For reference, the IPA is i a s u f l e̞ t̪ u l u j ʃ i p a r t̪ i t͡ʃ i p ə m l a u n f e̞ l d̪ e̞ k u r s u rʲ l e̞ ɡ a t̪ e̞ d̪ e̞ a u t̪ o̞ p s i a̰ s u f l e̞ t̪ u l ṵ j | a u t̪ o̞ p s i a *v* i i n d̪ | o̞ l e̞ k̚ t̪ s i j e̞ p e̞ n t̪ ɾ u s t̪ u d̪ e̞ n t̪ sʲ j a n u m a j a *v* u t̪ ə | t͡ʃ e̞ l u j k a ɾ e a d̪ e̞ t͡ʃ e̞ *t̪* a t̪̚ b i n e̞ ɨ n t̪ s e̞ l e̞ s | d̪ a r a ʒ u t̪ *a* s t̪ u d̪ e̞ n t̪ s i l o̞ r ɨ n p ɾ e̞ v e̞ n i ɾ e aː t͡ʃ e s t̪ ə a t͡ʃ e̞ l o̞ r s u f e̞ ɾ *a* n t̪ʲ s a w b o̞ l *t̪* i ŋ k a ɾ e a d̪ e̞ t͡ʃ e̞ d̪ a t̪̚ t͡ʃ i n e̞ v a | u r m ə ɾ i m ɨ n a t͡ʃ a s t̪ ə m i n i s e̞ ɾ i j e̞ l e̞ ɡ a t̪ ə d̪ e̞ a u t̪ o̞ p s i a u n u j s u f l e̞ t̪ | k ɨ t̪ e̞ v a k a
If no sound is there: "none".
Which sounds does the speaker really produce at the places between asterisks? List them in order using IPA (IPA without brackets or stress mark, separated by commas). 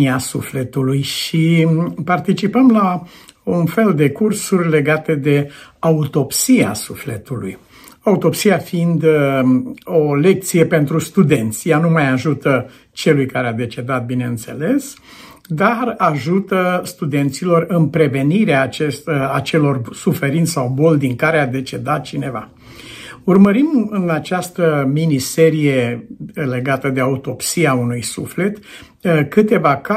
f, ʒ, d̪, ə, i, d̪